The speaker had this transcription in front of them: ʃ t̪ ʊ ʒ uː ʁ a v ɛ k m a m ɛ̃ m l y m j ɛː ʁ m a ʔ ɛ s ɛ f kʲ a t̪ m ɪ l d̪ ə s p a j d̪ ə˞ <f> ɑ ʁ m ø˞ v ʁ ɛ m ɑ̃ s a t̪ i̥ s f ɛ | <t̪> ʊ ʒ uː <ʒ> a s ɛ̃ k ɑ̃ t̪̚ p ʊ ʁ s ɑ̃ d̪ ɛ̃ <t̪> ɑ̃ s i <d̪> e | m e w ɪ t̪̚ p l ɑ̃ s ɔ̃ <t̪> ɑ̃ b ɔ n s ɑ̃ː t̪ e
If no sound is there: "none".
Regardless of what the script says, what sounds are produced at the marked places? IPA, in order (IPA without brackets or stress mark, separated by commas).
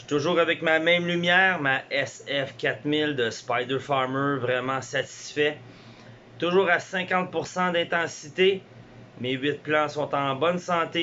f, t̪, ʁ, t̪, t̪, t̪